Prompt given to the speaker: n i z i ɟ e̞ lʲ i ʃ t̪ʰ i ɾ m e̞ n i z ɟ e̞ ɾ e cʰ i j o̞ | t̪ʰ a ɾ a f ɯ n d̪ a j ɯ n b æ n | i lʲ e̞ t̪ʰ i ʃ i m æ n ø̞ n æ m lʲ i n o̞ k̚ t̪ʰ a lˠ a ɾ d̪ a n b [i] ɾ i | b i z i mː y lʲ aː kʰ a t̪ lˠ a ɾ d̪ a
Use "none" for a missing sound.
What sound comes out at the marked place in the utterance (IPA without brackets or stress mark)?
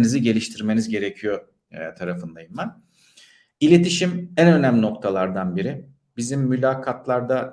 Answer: i